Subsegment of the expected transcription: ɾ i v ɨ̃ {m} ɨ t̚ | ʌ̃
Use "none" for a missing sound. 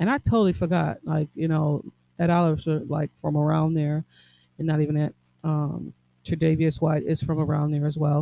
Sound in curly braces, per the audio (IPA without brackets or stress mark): n